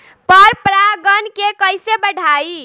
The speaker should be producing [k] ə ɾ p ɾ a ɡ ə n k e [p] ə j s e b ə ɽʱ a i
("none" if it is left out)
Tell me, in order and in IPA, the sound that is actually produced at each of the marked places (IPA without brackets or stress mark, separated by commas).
p, k